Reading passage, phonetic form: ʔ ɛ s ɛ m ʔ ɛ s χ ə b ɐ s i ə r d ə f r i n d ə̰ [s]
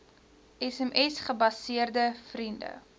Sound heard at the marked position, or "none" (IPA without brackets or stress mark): none